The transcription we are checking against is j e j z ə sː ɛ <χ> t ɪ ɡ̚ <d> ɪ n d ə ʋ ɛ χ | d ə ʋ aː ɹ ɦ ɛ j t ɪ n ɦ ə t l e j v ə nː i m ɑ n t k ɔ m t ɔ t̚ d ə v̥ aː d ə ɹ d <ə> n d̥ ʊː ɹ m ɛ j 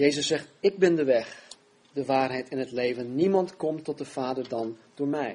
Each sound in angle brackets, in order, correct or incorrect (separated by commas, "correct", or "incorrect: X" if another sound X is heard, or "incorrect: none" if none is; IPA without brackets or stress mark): correct, incorrect: b, incorrect: ɑ